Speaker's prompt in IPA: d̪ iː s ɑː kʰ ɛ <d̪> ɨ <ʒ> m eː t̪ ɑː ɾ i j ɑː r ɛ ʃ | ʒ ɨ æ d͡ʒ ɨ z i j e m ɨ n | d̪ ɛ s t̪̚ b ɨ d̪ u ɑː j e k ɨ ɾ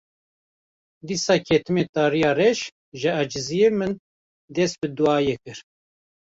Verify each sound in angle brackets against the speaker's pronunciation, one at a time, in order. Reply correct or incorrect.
incorrect: t̪, incorrect: none

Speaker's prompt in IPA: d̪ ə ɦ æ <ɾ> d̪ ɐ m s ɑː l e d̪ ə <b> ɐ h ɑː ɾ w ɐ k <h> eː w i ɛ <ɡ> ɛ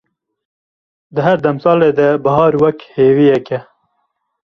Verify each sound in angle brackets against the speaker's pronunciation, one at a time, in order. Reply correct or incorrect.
correct, correct, correct, incorrect: k

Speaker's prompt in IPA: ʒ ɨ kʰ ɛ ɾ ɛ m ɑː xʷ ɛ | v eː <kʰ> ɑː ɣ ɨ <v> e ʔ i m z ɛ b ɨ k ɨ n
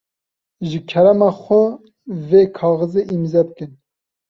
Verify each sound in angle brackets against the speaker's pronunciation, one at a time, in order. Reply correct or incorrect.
correct, incorrect: z

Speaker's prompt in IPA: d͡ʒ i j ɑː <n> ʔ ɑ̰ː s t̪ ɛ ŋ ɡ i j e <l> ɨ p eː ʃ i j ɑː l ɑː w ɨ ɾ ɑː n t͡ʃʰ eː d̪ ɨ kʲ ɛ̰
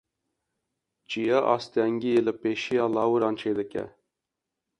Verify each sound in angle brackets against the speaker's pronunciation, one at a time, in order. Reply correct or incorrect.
incorrect: none, correct

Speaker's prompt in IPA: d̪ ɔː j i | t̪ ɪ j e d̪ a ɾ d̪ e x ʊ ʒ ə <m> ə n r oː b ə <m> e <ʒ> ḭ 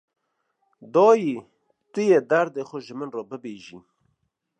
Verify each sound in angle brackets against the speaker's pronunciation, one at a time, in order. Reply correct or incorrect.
correct, incorrect: b, correct

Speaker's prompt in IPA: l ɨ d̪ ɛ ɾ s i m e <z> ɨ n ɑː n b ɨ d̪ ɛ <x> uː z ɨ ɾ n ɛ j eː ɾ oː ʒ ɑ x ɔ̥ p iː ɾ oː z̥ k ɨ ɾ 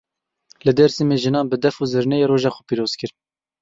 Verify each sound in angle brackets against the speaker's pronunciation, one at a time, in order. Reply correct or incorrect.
incorrect: ʒ, incorrect: f

